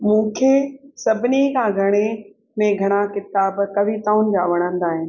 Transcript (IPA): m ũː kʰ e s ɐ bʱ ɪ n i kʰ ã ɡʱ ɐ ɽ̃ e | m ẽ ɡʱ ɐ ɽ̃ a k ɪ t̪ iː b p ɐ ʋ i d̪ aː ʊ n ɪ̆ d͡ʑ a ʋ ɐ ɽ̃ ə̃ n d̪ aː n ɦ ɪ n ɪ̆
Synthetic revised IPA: m ũː kʰ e s ɐ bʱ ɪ n i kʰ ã ɡʱ ɐ ɽ̃ e | m ẽ ɡʱ ɐ ɽ̃ a k ɪ t̪ aː b k ɐ ʋ i t̪ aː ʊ n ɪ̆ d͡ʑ a ʋ ɐ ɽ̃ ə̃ n d̪ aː ɦ ɪ n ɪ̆